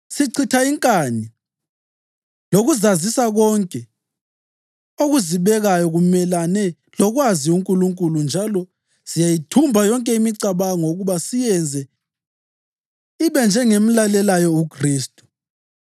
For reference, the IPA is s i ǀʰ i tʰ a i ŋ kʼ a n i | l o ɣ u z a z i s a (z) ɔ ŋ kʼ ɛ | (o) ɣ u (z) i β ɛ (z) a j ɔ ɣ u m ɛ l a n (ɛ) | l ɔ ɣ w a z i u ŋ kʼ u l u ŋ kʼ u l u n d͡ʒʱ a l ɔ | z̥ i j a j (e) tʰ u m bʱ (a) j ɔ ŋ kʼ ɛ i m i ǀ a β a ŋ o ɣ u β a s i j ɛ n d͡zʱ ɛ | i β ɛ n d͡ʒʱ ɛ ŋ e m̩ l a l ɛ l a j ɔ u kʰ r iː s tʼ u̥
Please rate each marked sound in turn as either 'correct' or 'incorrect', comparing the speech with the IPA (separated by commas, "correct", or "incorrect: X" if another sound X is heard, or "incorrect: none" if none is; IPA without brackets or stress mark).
incorrect: ɣ, correct, correct, incorrect: ɣ, correct, incorrect: i, correct